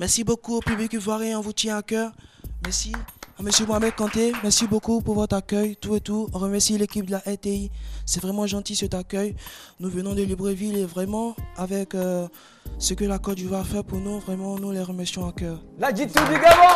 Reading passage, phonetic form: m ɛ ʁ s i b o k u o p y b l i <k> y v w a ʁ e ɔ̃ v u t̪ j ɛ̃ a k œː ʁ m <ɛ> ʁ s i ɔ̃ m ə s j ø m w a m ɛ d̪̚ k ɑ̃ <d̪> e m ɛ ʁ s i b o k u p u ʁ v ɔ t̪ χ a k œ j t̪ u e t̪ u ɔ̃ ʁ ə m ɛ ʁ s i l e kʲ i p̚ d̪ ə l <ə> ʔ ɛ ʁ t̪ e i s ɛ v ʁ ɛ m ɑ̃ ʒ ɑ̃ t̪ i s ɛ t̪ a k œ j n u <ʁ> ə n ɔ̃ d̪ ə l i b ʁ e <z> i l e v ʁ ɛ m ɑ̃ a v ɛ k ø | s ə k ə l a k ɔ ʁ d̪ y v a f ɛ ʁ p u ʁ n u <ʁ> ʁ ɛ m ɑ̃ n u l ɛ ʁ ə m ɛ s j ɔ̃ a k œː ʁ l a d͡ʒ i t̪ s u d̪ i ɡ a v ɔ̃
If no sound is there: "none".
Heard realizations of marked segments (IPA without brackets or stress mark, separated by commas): k, ɛ, t̪, a, v, v, v